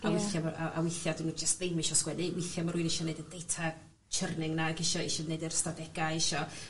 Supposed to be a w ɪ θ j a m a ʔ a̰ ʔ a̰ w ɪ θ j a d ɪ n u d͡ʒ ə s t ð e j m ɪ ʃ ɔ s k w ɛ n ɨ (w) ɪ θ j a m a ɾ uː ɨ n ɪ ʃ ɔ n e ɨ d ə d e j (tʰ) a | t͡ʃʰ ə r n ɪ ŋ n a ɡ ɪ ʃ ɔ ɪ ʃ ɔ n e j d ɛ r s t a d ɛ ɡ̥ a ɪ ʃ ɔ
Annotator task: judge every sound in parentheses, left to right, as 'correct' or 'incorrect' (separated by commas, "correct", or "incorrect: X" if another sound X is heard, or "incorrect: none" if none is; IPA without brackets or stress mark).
correct, correct